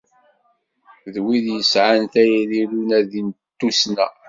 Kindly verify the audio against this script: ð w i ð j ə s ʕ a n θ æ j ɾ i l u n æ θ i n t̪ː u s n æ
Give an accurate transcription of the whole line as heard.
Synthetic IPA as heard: ð w i ð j ə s ʕ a n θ æ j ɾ i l u n æ ð i n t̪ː u s n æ